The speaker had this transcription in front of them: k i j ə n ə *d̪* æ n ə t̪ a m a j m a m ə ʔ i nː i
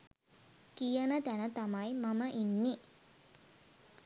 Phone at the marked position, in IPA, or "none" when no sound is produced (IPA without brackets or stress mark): t̪